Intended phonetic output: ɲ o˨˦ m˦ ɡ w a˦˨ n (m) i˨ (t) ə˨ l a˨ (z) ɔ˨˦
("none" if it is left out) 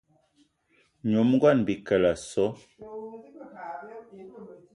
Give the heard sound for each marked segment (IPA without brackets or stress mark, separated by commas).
b, k, s